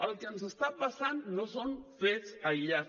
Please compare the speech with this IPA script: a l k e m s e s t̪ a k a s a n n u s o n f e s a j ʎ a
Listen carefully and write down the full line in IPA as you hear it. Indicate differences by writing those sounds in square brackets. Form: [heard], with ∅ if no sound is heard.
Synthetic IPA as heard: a l k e [n] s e s t̪ a [p] a s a n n [o] s o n f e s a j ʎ a